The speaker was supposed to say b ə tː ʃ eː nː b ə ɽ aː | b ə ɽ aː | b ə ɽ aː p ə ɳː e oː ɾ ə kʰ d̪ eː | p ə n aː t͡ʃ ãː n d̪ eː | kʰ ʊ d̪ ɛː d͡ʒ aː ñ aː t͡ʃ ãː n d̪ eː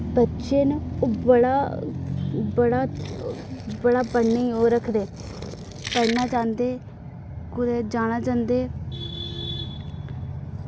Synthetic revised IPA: b ə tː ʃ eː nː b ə ɽ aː | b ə ɽ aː | b ə ɽ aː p ə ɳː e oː ɾ ə kʰ d̪ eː | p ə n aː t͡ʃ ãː n d̪ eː | k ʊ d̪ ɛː d͡ʒ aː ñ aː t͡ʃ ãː n d̪ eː